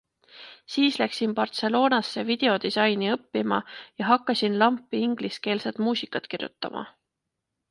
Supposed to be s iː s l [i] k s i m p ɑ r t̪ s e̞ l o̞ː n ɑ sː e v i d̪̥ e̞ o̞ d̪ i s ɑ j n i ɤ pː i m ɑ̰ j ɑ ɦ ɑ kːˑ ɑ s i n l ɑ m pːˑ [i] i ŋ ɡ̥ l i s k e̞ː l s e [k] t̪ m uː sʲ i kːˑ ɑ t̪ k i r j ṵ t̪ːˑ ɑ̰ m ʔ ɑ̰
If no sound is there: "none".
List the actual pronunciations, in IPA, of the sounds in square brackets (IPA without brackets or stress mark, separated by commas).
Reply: æ, i, none